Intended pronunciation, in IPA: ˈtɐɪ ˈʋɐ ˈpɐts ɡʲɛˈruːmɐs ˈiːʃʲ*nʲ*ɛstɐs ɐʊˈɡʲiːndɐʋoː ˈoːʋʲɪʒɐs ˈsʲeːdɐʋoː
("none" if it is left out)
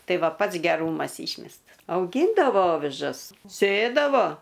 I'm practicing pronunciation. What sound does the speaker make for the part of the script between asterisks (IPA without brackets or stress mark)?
mʲ